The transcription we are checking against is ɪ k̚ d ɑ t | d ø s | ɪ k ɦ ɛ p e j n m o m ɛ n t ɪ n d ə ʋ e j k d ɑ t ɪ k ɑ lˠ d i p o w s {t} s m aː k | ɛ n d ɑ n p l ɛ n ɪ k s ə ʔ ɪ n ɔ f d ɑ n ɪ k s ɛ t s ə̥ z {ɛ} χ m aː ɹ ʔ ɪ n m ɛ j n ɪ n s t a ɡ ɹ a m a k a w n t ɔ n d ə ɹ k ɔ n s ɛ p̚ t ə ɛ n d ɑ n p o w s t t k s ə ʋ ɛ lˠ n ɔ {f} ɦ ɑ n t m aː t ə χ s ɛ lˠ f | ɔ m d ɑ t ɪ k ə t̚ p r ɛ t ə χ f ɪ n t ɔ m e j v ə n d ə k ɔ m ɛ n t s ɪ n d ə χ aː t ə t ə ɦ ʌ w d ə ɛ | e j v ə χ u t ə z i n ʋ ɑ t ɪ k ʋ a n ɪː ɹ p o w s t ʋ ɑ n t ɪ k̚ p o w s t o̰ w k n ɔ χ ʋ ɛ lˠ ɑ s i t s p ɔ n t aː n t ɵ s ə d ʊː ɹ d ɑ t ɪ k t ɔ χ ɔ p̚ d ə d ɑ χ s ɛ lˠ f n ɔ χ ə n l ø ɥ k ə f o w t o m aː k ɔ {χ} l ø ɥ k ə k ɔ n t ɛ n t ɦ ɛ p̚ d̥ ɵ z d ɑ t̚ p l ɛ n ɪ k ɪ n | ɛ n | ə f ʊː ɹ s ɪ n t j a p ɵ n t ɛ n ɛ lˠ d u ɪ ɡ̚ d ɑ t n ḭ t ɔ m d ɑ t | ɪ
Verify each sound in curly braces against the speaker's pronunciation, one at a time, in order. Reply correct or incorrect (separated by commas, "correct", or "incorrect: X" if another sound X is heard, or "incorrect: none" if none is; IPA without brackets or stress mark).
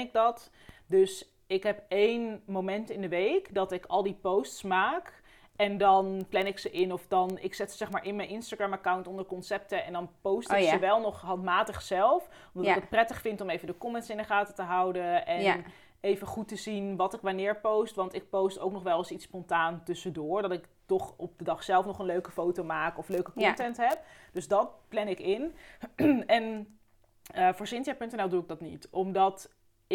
correct, correct, incorrect: χ, incorrect: f